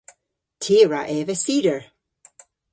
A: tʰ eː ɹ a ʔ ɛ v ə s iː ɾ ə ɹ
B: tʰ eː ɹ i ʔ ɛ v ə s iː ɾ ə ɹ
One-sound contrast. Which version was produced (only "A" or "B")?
A